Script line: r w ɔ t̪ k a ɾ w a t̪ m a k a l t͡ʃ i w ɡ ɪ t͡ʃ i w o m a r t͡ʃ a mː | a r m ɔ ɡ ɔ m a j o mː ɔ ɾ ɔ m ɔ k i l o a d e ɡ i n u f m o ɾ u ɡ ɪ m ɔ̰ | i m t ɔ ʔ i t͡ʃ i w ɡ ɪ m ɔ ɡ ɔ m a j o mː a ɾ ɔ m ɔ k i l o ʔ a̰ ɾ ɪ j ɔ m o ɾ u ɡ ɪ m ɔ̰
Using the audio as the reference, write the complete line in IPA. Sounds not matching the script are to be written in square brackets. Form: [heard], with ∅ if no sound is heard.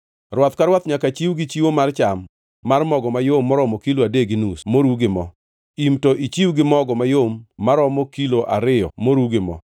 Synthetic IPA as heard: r w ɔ t̪ k a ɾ w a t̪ [ɲ] a k a [∅] t͡ʃ i w ɡ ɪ t͡ʃ i w o m a r t͡ʃ a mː | a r m ɔ ɡ ɔ m a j o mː ɔ ɾ ɔ m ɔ k i l o a d e ɡ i n u [s] m o ɾ u ɡ ɪ m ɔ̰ | i m t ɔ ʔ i t͡ʃ i w ɡ ɪ m ɔ ɡ ɔ m a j o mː a ɾ ɔ m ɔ k i l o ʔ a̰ ɾ ɪ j ɔ m o ɾ u ɡ ɪ m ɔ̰